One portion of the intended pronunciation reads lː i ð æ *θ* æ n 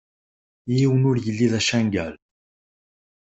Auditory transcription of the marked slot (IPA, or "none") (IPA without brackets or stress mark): ʃ